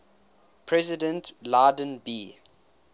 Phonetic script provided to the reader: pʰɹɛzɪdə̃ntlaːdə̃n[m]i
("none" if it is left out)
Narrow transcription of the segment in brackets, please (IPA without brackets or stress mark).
b